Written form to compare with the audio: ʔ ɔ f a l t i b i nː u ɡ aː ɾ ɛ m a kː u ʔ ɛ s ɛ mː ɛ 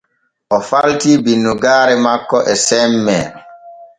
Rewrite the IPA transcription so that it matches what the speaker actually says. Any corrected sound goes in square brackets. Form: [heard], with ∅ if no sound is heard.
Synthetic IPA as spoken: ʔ ɔ f a l t i b i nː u ɡ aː ɾ ɛ m a kː [ɔ] ʔ ɛ s ɛ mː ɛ